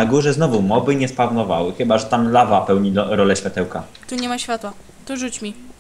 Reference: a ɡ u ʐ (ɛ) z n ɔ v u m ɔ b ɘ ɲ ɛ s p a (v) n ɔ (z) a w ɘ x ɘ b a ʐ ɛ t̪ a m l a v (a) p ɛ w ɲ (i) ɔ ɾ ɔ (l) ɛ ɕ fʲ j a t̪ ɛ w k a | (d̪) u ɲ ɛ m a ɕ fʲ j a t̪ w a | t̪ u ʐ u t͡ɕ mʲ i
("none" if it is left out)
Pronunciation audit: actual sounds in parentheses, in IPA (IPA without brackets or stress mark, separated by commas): ɛ, v, v, a, i, l, t̪